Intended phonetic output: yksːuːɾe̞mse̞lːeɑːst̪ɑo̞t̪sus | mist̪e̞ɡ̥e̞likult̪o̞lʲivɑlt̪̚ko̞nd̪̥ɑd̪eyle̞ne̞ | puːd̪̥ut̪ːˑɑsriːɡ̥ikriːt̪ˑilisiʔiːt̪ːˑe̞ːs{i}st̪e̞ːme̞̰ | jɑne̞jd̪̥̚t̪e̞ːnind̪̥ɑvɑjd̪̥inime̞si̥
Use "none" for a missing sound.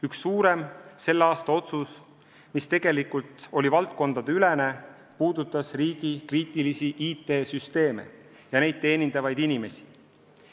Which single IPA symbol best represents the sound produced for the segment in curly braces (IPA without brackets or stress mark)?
y